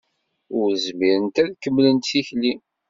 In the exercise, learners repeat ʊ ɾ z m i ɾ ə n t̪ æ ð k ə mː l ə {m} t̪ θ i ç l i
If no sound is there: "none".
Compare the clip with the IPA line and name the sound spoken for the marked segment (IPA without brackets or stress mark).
n